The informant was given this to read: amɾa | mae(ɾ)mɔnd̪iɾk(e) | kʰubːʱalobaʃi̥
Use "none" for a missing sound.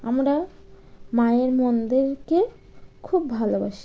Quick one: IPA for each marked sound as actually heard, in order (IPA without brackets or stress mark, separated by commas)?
ɾ, e